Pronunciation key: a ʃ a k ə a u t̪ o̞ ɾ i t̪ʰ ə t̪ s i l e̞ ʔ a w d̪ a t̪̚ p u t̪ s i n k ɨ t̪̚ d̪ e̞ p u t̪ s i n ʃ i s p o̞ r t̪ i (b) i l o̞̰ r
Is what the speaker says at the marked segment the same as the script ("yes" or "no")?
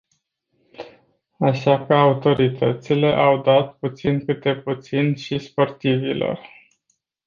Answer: no